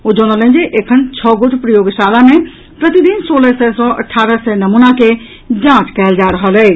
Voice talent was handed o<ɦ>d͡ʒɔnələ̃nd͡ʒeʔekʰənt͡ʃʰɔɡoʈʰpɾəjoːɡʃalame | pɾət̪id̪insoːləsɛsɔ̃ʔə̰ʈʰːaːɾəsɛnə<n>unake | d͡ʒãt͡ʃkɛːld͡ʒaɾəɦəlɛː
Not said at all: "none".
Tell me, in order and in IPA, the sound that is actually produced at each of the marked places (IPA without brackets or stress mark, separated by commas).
none, m